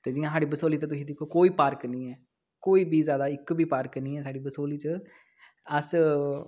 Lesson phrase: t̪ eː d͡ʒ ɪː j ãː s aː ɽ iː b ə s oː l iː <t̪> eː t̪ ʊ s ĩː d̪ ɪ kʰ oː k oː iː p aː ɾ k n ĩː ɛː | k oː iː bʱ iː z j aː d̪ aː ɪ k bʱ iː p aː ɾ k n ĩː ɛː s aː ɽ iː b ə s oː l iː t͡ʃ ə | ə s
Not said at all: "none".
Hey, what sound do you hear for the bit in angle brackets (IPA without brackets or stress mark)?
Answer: t̪